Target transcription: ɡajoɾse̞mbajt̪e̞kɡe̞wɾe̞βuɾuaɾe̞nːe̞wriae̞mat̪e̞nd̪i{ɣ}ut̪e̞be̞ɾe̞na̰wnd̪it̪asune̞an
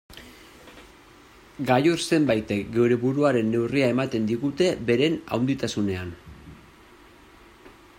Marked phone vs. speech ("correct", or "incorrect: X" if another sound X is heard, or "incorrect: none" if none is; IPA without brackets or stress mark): correct